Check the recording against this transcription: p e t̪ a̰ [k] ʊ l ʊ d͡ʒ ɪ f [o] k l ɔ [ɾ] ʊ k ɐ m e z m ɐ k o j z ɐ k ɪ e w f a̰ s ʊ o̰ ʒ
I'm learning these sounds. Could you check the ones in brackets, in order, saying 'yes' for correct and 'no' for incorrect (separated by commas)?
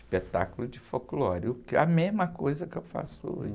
yes, yes, yes